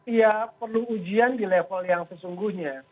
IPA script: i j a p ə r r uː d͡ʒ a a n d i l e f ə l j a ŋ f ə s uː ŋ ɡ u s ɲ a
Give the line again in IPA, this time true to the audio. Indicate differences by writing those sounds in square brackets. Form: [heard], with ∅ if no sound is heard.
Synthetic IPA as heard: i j a p ə r [l] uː d͡ʒ [i] a n d i l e f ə l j a ŋ [s] ə s [u] ŋ ɡ u [h] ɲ a